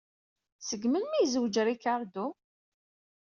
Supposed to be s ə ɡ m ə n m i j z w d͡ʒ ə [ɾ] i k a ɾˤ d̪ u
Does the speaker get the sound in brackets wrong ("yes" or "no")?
no